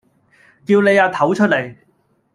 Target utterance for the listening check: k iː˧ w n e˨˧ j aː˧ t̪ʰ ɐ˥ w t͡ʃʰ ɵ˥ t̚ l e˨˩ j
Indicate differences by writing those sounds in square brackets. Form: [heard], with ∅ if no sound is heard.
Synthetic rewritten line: k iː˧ w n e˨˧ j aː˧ t̪ʰ [ɐ˨˥] w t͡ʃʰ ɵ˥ t̚ l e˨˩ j